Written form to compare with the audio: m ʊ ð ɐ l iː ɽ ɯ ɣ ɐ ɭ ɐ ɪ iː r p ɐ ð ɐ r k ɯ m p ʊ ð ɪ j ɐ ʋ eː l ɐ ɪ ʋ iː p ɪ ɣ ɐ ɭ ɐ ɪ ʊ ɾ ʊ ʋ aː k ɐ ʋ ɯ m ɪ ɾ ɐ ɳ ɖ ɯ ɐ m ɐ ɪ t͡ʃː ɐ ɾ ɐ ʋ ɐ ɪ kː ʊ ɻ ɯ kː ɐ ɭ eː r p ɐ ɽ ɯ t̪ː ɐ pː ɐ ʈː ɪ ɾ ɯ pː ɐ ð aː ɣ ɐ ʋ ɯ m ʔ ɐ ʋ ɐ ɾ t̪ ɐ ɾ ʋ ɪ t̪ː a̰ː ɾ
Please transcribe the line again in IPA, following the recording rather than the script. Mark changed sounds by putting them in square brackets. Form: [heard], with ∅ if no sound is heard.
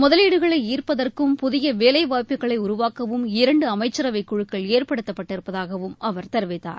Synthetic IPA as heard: m ʊ ð ɐ l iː ɽ ɯ ɣ ɐ ɭ ɐ ɪ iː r p ɐ ð ɐ r k ɯ m p ʊ ð ɪ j ɐ ʋ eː l ɐ ɪ ʋ [aː] p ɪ ɣ ɐ ɭ ɐ ɪ ʊ ɾ ʊ ʋ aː k ɐ ʋ ɯ m ɪ ɾ ɐ ɳ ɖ ɯ ɐ m ɐ ɪ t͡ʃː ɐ ɾ ɐ ʋ ɐ ɪ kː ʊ ɻ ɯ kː ɐ ɭ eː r p ɐ ɽ ɯ t̪ː ɐ pː ɐ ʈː ɪ ɾ ɯ pː ɐ ð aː ɣ ɐ ʋ ɯ m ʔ ɐ ʋ ɐ ɾ t̪ ɐ ɾ ʋ ɪ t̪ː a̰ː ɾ